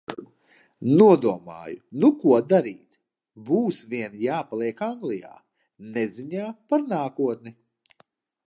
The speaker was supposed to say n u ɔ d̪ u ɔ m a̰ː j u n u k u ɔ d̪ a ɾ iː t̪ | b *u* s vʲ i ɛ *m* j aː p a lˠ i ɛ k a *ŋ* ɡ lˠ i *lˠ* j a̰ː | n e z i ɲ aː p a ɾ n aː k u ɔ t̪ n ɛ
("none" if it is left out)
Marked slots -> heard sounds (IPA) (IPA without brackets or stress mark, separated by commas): uː, n, ŋ, none